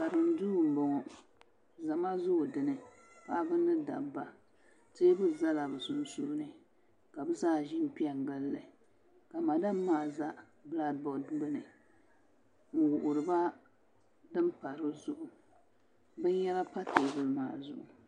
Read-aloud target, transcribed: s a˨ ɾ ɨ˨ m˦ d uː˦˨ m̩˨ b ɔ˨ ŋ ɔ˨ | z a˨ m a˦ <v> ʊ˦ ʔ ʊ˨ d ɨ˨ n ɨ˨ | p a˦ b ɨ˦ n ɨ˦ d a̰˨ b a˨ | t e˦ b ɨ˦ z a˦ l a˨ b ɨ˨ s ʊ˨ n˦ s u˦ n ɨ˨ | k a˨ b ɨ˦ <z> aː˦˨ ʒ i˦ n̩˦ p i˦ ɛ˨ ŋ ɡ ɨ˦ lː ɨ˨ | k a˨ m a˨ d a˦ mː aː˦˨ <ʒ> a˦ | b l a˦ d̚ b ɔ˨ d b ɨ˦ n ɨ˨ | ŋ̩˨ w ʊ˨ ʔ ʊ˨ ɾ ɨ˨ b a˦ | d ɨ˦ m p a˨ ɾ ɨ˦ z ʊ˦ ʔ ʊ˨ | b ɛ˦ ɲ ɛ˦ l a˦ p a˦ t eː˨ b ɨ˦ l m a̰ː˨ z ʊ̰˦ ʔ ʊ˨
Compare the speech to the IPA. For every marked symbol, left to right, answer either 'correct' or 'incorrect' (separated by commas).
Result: incorrect, correct, incorrect